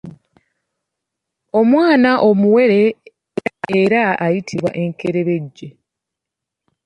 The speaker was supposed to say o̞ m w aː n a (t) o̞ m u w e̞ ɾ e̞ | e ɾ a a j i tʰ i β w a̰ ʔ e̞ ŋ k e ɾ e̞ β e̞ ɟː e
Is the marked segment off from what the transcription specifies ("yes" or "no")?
yes